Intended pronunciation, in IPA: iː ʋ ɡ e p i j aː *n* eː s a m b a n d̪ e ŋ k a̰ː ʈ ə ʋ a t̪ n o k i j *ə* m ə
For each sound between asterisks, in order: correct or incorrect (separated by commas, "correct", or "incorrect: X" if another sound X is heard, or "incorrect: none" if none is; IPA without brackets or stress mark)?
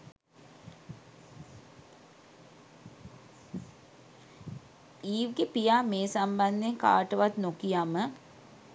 incorrect: m, incorrect: a